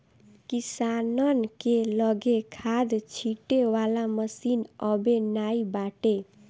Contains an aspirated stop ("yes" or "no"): yes